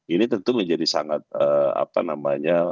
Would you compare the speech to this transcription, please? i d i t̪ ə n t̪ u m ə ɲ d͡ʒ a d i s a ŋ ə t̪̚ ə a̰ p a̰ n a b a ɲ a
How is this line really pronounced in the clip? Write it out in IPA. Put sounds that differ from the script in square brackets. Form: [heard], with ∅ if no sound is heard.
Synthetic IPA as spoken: i [n] i t̪ ə n t̪ u m ə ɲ d͡ʒ a d i s a ŋ [a] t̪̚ ə a̰ p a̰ n a [m] a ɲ a